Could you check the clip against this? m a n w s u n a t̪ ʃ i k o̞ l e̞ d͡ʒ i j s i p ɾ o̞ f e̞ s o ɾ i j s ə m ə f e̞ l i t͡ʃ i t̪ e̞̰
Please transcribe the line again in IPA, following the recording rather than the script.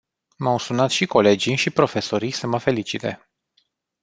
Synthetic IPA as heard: m a w s u n a t̪ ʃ i k o̞ l e̞ d͡ʒ i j ʃ i p ɾ o̞ f e̞ s o ɾ i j s ə m ə f e̞ l i t͡ʃ i t̪ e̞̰